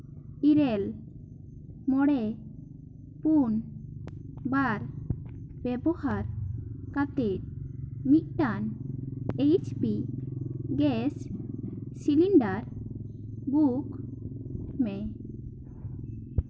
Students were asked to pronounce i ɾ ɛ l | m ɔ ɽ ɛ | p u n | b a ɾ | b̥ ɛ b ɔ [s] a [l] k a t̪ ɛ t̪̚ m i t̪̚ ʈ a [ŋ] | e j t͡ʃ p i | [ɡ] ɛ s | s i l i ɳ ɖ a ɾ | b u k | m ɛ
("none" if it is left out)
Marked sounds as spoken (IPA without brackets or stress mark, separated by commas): h, ɾ, n, ɡ